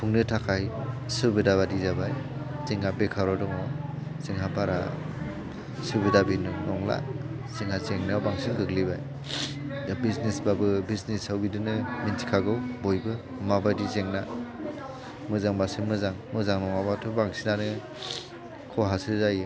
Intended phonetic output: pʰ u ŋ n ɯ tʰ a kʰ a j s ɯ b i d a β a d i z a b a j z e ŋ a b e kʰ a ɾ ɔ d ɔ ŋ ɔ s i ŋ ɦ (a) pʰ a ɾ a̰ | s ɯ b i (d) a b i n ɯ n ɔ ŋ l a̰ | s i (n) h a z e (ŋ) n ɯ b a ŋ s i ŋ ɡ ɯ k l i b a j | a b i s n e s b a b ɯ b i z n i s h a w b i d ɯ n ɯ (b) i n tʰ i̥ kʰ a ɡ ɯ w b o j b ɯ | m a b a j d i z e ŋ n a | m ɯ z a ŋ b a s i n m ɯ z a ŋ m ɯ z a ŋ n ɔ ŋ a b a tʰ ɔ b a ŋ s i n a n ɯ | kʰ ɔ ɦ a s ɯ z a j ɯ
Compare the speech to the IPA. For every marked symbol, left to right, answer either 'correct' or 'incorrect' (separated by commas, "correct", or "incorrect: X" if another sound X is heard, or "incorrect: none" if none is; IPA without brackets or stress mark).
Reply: correct, correct, incorrect: ŋ, correct, incorrect: m